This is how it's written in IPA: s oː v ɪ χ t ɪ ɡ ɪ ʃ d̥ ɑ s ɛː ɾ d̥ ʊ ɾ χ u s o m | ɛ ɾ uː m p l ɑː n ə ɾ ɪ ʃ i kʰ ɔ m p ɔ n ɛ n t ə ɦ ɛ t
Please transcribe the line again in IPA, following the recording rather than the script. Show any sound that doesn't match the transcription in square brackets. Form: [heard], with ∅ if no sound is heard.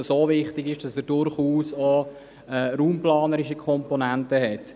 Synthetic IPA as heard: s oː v ɪ χ t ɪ ɡ ɪ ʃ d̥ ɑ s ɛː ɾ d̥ ʊ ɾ χ [uː] s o [∅] | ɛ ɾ uː m p l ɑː n ə ɾ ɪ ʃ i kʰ ɔ m p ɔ n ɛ n t ə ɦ ɛ t